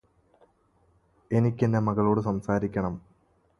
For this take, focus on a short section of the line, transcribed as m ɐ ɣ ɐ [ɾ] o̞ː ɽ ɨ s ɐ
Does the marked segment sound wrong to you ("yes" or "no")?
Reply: yes